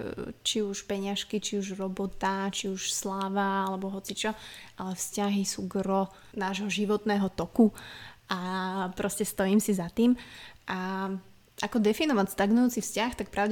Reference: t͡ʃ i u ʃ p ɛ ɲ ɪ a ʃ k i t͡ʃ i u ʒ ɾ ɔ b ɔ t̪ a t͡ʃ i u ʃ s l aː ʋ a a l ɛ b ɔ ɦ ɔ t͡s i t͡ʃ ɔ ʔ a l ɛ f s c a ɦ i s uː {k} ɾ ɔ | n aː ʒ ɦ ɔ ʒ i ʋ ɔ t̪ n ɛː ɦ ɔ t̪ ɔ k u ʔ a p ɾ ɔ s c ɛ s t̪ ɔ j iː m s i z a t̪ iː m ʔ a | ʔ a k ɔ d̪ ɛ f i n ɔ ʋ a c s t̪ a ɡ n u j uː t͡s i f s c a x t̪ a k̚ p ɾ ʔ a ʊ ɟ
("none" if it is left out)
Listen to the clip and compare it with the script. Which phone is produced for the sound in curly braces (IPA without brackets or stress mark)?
ɡ